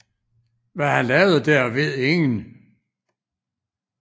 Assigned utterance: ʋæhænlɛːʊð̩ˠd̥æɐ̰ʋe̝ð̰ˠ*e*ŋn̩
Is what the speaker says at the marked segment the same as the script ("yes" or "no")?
yes